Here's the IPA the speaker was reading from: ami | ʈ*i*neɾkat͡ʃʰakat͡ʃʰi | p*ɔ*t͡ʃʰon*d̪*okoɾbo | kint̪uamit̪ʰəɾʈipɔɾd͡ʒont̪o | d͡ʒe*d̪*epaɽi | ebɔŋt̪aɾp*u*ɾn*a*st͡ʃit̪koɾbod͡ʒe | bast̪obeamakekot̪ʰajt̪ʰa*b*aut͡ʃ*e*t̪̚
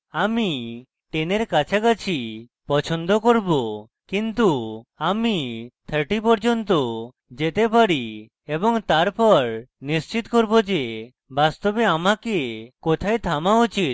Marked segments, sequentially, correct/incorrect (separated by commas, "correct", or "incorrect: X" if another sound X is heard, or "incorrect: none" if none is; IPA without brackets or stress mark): incorrect: e, correct, correct, incorrect: t̪, incorrect: ɔ, incorrect: i, incorrect: m, incorrect: i